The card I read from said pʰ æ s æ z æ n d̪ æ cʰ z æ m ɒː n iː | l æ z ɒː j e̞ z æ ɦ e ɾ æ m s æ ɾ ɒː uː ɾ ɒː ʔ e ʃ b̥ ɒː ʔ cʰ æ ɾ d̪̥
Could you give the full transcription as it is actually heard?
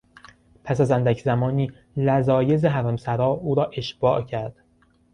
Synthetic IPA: pʰ æ s æ z æ n d̪ æ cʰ z æ m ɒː n iː | l æ z ɒː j e̞ z e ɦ æ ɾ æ m s æ ɾ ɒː uː ɾ ɒː ʔ e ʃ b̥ ɒː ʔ cʰ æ ɾ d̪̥